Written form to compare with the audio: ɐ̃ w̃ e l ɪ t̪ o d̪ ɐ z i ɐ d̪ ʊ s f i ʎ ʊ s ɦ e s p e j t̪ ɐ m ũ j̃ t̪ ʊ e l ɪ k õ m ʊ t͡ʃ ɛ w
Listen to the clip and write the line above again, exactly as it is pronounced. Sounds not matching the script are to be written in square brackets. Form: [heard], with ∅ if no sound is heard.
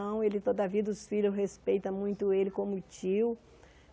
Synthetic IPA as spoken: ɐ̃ w̃ e l ɪ t̪ o d̪ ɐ [v] i ɐ d̪ ʊ s f i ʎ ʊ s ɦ e s p e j t̪ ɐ m ũ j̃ t̪ ʊ e l ɪ k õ m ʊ t͡ʃ [i] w